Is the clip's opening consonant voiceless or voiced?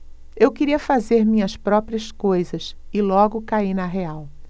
voiced